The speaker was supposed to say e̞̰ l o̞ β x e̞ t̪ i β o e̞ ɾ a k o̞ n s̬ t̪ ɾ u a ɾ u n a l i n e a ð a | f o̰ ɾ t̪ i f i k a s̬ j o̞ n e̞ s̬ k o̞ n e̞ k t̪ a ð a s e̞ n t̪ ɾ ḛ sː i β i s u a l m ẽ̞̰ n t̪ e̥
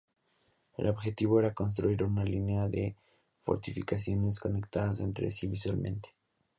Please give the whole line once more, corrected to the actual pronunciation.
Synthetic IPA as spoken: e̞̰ l o̞ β x e̞ t̪ i β o e̞ ɾ a k o̞ n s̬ t̪ ɾ u i ɾ u n a l i n e a ð e | f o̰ ɾ t̪ i f i k a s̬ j o̞ n e̞ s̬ k o̞ n e̞ k t̪ a ð a s e̞ n t̪ ɾ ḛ s i β i s w a l m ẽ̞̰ n t̪ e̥